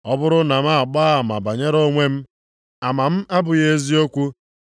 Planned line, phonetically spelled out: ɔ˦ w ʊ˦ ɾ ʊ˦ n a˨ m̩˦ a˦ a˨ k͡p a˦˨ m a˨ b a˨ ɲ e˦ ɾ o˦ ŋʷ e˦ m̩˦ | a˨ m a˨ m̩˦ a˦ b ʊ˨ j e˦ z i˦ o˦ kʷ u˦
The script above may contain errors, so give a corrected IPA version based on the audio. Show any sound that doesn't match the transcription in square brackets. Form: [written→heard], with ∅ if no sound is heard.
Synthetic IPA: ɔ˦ [w→b] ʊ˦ ɾ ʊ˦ n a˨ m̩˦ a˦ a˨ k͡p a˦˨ m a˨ b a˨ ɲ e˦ ɾ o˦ ŋʷ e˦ m̩˦ | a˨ m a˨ m̩˦ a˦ b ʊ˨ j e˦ z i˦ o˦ kʷ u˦